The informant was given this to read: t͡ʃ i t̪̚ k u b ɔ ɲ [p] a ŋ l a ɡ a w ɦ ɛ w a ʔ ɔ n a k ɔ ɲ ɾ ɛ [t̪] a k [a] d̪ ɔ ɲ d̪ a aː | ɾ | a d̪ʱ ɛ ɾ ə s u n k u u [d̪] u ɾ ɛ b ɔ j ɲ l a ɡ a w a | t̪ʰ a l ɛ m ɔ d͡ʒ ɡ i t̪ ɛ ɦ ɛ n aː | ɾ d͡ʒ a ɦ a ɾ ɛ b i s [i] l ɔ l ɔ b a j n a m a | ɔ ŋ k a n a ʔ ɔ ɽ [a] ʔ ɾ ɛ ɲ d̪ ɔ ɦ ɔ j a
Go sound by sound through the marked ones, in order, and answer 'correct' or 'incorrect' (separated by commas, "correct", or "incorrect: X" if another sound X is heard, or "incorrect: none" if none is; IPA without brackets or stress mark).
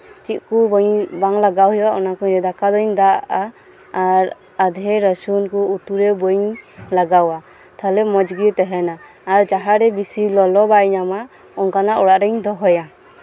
incorrect: b, incorrect: d̪, correct, incorrect: t̪, correct, correct